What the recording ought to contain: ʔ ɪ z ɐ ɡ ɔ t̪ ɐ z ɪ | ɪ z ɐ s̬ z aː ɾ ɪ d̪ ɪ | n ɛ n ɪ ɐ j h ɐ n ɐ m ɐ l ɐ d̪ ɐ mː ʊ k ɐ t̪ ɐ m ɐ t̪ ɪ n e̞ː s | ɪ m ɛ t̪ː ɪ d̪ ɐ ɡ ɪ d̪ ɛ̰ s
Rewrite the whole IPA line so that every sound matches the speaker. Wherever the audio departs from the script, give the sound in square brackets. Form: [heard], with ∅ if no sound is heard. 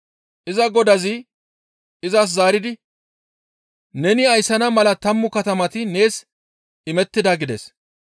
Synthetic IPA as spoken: ʔ ɪ z ɐ ɡ ɔ [d̪] ɐ z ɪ | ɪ z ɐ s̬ z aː ɾ ɪ d̪ ɪ | n ɛ n ɪ ɐ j [s] ɐ n ɐ m ɐ l ɐ [t̪] ɐ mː ʊ k ɐ t̪ ɐ m ɐ t̪ ɪ n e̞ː s | ɪ m ɛ t̪ː ɪ d̪ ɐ ɡ ɪ d̪ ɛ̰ s